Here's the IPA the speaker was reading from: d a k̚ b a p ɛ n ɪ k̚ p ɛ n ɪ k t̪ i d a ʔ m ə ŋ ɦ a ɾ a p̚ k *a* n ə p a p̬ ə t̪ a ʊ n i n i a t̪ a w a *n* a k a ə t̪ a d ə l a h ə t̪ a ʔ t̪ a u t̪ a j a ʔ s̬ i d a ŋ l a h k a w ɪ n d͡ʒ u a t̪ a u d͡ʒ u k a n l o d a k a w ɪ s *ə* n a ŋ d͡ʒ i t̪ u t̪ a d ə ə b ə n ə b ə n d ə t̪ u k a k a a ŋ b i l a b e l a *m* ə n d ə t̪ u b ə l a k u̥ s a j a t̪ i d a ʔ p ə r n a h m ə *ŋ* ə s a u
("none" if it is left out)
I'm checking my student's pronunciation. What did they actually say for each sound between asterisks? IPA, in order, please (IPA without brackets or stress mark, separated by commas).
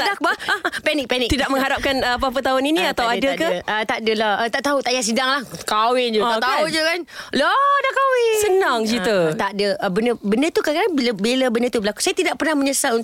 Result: a, d, ə, b, ɲ